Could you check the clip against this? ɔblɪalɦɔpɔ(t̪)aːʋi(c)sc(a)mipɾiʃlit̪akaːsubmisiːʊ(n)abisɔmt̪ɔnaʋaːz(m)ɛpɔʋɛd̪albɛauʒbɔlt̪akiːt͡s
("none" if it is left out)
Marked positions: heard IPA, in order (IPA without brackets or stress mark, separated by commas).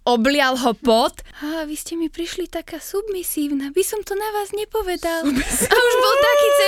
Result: t̪, none, ɛ, n, ɲ